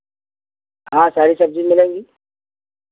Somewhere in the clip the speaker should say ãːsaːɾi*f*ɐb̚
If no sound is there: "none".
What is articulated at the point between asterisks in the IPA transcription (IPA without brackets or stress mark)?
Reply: s